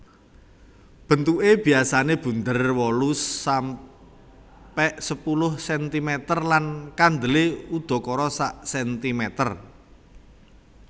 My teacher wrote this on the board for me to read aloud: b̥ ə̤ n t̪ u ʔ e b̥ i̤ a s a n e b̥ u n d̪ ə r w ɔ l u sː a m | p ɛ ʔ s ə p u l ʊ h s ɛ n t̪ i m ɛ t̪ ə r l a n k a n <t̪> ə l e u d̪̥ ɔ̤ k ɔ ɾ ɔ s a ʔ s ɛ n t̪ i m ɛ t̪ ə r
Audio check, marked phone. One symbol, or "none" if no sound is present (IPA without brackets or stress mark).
d̪